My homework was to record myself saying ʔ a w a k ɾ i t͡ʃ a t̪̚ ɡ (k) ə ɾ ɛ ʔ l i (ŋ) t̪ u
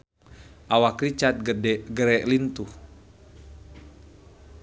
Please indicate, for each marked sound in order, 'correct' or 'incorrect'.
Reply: incorrect: ɡ, incorrect: n

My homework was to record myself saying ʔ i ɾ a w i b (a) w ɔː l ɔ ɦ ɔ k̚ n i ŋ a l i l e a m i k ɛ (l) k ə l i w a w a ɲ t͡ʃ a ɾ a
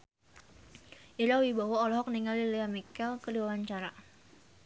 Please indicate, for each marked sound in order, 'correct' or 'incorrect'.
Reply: correct, correct

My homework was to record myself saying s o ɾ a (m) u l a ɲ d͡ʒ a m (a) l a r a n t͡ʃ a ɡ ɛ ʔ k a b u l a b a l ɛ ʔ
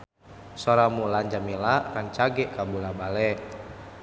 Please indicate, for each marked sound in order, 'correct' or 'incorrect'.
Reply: correct, incorrect: i

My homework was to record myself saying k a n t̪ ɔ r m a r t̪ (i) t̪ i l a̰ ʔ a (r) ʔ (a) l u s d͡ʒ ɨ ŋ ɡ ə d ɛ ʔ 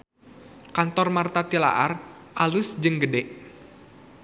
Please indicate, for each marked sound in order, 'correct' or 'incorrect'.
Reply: incorrect: a, correct, correct

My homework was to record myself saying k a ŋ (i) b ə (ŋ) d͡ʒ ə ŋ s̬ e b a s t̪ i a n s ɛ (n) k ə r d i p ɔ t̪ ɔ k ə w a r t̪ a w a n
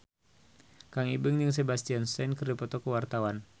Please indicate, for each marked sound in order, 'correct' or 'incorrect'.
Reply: correct, correct, correct

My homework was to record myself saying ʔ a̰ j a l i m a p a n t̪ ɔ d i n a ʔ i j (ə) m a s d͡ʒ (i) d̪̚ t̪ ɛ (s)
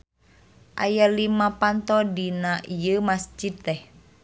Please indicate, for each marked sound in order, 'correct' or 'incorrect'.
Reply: correct, correct, incorrect: h

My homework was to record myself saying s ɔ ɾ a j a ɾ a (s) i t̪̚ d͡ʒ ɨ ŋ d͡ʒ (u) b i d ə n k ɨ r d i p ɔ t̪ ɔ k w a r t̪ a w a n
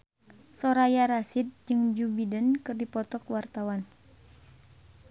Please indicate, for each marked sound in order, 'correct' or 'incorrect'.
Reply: correct, correct

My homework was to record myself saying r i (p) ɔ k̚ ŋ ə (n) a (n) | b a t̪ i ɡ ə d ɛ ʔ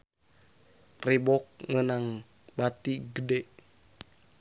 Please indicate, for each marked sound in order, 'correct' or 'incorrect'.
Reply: incorrect: b, correct, incorrect: ŋ

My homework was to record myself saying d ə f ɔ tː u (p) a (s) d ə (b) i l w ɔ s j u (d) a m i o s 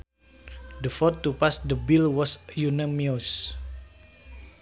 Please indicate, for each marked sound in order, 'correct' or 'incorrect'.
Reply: correct, correct, correct, incorrect: n

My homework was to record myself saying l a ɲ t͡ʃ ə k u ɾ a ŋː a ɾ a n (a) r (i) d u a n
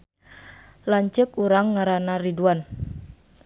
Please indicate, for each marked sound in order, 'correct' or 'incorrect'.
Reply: correct, correct

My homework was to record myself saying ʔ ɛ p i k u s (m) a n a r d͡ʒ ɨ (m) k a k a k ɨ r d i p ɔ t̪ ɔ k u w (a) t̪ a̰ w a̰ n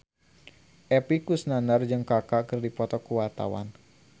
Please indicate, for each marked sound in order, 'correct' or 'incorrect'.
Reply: incorrect: n, incorrect: ŋ, correct

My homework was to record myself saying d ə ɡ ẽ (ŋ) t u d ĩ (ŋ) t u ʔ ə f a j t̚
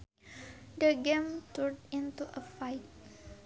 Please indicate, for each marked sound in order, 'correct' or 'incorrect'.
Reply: incorrect: m, incorrect: n

